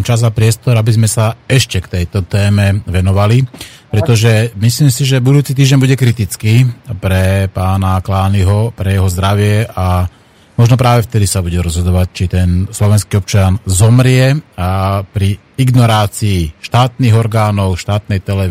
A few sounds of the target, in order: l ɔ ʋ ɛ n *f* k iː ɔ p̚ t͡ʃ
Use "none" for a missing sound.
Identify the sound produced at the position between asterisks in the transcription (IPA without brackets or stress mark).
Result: s